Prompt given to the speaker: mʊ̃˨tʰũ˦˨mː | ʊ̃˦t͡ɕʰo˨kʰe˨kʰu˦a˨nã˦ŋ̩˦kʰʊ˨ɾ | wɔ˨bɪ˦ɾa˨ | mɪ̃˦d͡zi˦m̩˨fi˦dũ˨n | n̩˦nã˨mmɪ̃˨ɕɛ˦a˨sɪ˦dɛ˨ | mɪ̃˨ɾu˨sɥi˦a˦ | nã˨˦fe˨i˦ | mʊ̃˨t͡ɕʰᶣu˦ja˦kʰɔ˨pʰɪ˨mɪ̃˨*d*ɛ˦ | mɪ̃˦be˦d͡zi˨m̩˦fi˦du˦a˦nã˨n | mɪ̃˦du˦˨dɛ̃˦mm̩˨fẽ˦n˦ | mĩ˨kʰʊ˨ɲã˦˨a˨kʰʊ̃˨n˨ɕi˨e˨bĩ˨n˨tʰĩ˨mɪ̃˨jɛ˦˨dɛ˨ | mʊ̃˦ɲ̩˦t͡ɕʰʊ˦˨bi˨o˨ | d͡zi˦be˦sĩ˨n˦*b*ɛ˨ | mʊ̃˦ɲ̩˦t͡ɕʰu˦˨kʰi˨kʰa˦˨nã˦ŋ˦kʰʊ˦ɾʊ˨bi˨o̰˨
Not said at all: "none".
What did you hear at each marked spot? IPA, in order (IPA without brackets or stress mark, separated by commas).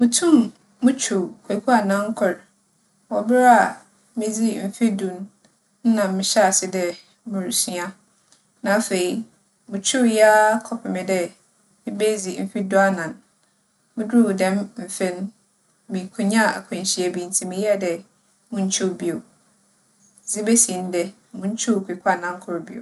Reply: d, d